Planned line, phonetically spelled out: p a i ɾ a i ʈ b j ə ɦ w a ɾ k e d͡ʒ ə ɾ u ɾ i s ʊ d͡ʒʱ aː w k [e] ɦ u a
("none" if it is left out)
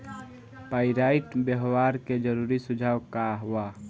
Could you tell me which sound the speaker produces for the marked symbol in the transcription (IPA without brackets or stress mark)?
a